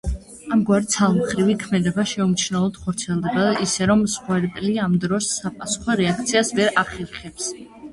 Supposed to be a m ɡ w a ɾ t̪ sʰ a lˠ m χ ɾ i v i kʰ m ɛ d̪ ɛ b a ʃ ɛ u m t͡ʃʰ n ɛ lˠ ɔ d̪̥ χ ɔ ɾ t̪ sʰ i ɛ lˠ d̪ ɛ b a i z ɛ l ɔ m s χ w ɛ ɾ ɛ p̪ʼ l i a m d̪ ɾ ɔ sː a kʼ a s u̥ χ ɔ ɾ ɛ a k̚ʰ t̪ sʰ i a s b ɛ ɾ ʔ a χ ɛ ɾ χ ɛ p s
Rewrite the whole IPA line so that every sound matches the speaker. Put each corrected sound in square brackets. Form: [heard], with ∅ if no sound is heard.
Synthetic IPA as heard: a m ɡ w a ɾ t̪ sʰ a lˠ m χ ɾ i v i kʰ m ɛ d̪ ɛ b a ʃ ɛ u m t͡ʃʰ n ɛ lˠ ɔ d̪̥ χ ɔ ɾ t̪ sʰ i ɛ lˠ d̪ ɛ b a i [s] ɛ [ɾ] ɔ m s χ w ɛ ɾ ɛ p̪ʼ l i a m d̪ ɾ ɔ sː a [pʼ] a s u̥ χ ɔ ɾ ɛ a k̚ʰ t̪ sʰ i a s [v] ɛ ɾ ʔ a χ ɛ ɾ χ ɛ p s